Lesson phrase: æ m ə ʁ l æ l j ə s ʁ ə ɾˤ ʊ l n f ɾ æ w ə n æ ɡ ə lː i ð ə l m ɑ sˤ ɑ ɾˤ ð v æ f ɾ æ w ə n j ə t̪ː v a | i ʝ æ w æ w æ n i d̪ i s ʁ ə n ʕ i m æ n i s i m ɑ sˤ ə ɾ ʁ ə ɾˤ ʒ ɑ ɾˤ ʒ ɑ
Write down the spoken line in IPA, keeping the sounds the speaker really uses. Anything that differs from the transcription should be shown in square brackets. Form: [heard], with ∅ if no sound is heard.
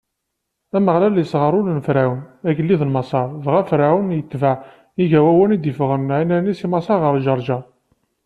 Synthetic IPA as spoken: æ m ə ʁ l æ l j ə s ʁ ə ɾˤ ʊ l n f ɾ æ w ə n æ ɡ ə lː i ð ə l m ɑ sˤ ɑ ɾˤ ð [ʁ] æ f ɾ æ w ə n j ə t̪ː v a | i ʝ æ w æ w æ n i d̪ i [f] ʁ ə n ʕ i [n] æ n i s i m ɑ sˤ [ɑ] ɾ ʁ ə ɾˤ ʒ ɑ ɾˤ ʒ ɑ